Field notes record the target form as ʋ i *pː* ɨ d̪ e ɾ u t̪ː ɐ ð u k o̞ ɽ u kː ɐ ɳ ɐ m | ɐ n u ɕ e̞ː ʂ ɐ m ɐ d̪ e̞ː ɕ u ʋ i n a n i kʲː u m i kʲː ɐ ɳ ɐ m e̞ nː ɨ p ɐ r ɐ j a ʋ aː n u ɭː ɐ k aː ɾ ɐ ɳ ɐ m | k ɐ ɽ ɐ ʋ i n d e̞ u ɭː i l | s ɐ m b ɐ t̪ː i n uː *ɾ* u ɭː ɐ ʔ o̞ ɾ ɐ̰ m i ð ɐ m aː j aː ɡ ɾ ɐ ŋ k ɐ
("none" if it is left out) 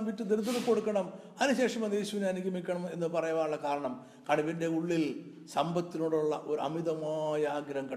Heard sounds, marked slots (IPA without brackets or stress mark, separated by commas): tː, ɽ